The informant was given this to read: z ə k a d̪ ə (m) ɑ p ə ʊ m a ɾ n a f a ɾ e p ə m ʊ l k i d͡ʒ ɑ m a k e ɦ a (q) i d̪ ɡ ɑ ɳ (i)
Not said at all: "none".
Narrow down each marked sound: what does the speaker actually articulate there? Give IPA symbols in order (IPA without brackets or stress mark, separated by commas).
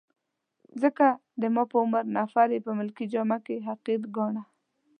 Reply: m, q, a